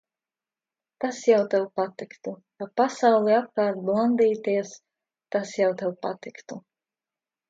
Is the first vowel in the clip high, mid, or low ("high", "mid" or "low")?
low